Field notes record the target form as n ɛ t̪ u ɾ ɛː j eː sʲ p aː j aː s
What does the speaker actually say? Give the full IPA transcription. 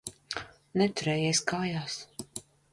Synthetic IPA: n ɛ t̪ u ɾ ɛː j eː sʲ k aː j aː s